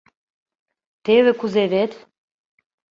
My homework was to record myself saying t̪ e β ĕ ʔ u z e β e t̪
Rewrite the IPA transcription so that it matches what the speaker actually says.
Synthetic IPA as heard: t̪ e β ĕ k u z e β e t̪